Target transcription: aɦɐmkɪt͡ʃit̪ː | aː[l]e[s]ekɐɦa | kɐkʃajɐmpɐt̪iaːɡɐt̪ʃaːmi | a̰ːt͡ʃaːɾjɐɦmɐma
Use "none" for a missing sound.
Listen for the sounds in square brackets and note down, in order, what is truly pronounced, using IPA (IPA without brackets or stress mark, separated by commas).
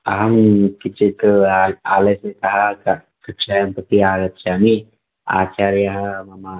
l, s